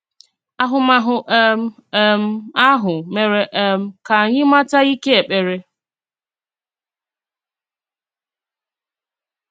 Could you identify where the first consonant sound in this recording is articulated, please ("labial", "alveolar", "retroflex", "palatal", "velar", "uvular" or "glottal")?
glottal